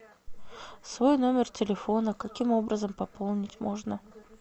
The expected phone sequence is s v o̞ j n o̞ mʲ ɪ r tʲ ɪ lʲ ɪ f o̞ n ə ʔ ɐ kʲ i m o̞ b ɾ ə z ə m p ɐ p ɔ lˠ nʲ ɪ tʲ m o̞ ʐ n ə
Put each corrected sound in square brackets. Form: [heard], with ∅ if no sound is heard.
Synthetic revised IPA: s v o̞ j n o̞ mʲ ɪ r tʲ ɪ lʲ ɪ f o̞ n ə [k] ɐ kʲ i m o̞ b ɾ ə z ə m p ɐ p [o] lˠ nʲ ɪ tʲ m o̞ ʐ n ə